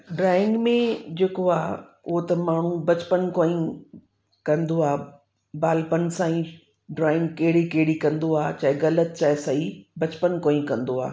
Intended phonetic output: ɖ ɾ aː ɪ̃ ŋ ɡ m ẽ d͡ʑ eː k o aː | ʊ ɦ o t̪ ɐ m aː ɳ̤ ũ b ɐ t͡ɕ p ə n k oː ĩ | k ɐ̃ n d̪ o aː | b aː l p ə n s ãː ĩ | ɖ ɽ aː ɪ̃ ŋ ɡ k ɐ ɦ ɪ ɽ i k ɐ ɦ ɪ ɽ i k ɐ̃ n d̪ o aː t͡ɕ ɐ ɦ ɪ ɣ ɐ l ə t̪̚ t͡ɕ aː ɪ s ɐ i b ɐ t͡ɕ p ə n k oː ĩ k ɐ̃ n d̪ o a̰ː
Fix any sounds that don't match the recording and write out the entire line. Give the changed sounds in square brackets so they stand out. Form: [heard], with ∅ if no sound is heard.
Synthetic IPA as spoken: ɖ ɾ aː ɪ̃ ŋ ɡ m ẽ d͡ʑ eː k o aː | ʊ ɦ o t̪ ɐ m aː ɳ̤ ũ b ɐ t͡ɕ p ə n k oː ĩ | k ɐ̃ n d̪ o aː | b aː l p ə n s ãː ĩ | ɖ [ɾ] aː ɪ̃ ŋ ɡ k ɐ ɦ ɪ ɽ i k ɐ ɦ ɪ ɽ i k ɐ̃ n d̪ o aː t͡ɕ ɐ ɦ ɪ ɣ ɐ l ə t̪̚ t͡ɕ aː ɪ s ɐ i b ɐ t͡ɕ p ə n k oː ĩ k ɐ̃ n d̪ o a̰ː